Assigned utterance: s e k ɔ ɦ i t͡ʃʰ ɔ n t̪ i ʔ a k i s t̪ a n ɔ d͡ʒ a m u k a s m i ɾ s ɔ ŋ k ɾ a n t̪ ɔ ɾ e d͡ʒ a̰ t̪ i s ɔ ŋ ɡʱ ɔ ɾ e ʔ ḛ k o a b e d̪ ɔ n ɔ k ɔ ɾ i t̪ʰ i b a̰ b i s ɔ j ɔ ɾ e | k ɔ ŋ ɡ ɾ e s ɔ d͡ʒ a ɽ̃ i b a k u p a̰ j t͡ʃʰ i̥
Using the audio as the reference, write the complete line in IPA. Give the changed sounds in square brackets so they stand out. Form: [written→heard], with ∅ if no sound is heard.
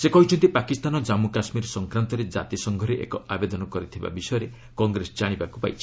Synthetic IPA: s e k ɔ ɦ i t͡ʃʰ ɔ n t̪ i [ʔ→p] a k i s t̪ a n ɔ d͡ʒ a m u k a s m i ɾ s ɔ ŋ k ɾ a n t̪ ɔ ɾ e d͡ʒ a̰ t̪ i s ɔ ŋ ɡʱ ɔ ɾ e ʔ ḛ k [o→ɔ] a b e d̪ ɔ n ɔ k ɔ ɾ i t̪ʰ i b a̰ b i s ɔ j ɔ ɾ e | k ɔ ŋ ɡ ɾ e s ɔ d͡ʒ a ɽ̃ i b a k u p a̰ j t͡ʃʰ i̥